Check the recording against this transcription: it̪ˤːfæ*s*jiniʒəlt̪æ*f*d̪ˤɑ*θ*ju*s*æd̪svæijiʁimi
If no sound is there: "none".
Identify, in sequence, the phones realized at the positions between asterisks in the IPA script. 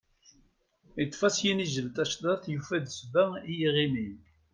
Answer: s, ʃ, θ, f

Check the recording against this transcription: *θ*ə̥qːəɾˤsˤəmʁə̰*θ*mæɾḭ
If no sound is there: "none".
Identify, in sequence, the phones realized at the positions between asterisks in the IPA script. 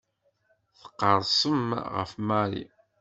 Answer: θ, f

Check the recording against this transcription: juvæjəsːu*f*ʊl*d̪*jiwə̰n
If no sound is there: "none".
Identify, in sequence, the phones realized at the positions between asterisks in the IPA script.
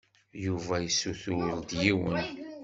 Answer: θ, d̪

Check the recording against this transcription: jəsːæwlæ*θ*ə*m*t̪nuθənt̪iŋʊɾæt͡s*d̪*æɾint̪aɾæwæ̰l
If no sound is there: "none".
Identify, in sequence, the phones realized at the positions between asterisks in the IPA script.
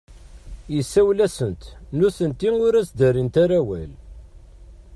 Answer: s, n, d̪

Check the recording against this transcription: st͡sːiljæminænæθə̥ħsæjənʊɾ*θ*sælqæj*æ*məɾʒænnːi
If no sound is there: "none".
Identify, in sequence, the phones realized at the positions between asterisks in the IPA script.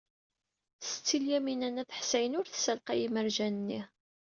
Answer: θ, i

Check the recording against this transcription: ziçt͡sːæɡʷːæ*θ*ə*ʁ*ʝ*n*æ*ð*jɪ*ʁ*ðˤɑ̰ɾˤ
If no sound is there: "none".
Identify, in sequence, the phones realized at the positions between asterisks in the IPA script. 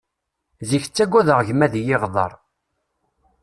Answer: ð, ʁ, m, ð, ʁ

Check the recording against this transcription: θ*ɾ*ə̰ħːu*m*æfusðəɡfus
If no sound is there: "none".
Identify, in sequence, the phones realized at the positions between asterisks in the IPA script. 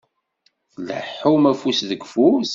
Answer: l, m

